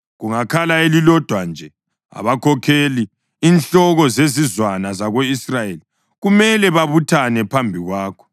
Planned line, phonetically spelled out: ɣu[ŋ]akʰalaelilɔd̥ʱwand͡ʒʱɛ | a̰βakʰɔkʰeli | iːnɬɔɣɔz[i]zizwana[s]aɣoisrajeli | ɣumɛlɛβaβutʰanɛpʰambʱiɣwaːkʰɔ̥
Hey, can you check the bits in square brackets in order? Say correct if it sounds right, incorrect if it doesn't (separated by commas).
correct, incorrect, incorrect